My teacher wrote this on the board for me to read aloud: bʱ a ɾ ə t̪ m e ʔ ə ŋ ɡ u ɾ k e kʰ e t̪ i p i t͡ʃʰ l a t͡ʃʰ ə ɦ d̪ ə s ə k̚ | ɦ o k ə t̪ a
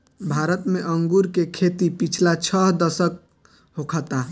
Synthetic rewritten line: bʱ a ɾ ə t̪ m e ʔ ə ŋ ɡ u ɾ k e kʰ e t̪ i p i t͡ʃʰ l a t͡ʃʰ ə ɦ d̪ ə s ə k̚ | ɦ o kʰ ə t̪ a